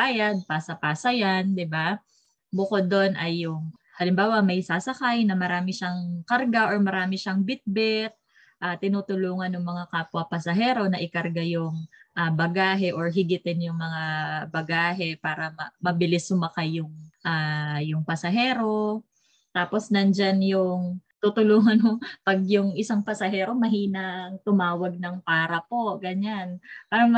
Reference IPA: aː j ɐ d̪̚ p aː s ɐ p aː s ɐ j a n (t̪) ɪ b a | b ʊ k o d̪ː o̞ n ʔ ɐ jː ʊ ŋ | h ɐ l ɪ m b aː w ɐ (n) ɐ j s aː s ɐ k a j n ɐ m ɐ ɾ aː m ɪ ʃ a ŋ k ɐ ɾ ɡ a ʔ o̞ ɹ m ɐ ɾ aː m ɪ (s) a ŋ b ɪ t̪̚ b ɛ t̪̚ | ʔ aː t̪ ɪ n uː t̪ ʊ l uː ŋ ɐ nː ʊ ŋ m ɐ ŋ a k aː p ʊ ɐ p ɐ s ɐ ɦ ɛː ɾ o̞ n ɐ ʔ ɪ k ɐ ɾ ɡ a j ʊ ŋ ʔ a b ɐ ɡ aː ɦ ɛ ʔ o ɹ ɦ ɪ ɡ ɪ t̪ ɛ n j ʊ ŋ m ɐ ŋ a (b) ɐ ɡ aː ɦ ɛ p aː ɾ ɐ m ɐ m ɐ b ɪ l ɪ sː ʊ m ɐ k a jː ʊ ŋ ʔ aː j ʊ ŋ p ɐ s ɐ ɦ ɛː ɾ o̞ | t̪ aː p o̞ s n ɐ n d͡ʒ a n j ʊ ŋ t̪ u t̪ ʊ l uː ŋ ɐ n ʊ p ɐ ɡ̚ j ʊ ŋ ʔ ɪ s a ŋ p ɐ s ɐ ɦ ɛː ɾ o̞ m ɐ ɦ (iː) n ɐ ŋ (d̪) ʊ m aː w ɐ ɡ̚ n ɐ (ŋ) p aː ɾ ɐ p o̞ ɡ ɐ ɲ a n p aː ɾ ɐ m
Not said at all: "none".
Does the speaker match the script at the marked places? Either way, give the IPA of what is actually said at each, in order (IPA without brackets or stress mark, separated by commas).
d̪, m, ʃ, b, iː, t̪, ŋ